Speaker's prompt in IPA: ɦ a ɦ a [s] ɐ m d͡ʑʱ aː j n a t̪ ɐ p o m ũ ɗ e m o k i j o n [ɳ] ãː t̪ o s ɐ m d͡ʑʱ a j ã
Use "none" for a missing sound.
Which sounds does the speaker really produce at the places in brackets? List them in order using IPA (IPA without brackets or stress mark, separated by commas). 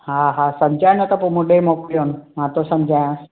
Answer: s, m